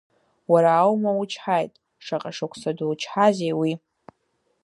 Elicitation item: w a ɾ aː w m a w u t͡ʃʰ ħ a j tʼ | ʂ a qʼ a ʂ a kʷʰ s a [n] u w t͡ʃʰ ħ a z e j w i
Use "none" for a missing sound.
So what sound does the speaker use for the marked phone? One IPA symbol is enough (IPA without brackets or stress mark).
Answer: d